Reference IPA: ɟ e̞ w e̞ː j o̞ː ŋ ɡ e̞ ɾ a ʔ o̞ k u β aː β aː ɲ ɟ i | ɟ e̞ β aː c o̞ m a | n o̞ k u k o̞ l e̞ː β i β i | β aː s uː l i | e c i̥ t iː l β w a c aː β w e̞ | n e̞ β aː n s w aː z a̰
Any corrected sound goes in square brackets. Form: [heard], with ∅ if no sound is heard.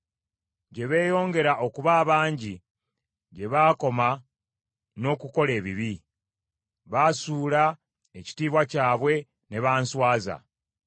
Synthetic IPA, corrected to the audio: ɟ e̞ [β] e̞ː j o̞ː ŋ ɡ e̞ ɾ a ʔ o̞ k u β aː β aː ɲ ɟ i | ɟ e̞ β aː [k] o̞ m a | n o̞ k u k o̞ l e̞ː β i β i | β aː s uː l [a] | e c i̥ t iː [∅] β w a c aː β w e̞ | n e̞ β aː n s w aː z a̰